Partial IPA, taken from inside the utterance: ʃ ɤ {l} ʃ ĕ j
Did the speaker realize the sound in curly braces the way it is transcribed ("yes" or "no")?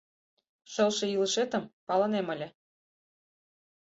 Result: yes